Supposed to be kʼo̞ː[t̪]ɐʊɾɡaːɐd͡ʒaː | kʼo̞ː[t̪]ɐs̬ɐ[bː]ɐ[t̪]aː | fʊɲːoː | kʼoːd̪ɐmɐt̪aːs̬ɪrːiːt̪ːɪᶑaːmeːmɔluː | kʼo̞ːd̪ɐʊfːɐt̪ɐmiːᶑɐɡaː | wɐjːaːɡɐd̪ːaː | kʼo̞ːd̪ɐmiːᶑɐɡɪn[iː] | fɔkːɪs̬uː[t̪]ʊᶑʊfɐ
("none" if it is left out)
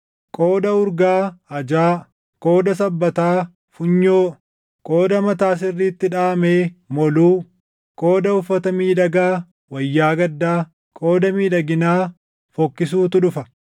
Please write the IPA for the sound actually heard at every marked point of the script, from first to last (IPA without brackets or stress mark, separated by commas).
d̪, d̪, bː, t̪, aː, t̪